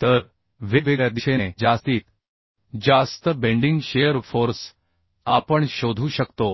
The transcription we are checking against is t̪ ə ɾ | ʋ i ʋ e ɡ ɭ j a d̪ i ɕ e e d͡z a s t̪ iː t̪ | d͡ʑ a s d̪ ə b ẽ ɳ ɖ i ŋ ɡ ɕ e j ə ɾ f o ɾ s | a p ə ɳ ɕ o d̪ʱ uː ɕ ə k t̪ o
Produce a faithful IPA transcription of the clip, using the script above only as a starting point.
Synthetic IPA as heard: t̪ ə ɾ | ʋ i ʋ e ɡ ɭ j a d̪ i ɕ e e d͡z a s t̪ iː t̪ | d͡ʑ a s t̪ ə b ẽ ɳ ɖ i ŋ ɡ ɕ e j ə ɾ f o ɾ s | a p ə ɳ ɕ o d̪ʱ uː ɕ ə k t̪ o